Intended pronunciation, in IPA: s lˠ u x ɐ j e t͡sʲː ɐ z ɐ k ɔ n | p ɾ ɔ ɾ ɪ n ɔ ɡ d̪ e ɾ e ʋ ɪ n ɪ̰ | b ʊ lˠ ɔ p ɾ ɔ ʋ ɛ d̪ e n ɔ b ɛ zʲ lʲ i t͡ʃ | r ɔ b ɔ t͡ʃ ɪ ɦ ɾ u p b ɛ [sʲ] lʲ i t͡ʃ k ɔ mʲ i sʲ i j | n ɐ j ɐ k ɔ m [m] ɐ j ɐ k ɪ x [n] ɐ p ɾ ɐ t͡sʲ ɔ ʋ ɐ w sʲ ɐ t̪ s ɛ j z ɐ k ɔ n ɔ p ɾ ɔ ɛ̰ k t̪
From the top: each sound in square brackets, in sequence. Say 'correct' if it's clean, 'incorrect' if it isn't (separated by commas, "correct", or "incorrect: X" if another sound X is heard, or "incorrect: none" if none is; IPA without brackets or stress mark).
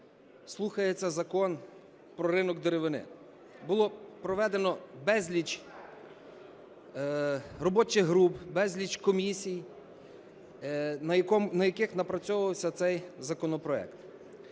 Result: incorrect: zʲ, incorrect: n, correct